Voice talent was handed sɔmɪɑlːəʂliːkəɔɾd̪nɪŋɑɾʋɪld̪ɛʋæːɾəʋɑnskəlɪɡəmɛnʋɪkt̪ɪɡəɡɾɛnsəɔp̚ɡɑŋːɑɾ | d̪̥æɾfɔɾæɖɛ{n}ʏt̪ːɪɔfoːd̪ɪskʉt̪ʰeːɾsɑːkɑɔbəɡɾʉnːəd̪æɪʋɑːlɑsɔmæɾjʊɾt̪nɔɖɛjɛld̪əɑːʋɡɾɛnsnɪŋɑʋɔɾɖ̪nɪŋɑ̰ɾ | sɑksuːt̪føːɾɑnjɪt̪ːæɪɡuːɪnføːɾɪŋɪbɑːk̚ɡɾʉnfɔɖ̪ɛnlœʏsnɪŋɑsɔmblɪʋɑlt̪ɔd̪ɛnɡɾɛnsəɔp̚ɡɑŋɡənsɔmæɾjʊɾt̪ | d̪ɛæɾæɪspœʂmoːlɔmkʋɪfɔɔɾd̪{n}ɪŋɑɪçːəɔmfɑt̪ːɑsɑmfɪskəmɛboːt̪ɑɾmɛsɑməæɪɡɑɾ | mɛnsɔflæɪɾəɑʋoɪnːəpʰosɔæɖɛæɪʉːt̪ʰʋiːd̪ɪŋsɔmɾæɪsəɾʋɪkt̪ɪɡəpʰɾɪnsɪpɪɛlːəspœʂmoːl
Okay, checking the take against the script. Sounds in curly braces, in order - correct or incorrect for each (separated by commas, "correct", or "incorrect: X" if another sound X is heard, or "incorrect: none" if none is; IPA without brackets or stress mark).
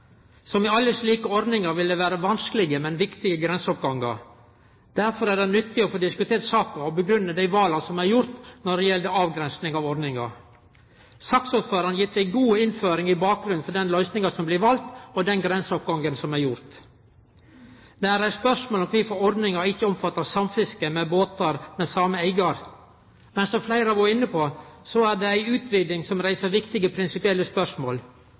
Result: correct, correct